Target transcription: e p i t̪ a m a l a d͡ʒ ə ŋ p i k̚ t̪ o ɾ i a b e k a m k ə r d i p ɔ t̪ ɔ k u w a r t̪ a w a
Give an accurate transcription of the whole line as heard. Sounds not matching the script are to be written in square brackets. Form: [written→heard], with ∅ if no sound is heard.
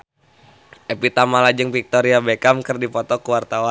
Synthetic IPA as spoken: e p i t̪ a m a l a d͡ʒ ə ŋ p i k̚ t̪ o ɾ i a b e k a m k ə r d i p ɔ t̪ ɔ k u w a r t̪ a w a